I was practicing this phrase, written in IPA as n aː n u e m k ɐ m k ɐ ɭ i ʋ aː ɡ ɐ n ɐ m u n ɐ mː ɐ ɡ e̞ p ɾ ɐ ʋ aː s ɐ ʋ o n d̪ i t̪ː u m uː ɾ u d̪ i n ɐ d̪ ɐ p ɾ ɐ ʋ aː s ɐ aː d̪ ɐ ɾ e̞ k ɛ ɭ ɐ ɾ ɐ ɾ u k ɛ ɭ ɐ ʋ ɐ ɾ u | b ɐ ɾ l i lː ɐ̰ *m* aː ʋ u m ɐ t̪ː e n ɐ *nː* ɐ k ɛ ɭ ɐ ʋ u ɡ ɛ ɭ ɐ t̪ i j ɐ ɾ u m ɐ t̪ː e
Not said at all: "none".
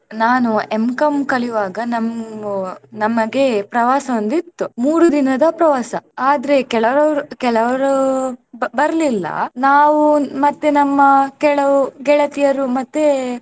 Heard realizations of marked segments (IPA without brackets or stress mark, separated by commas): n, mː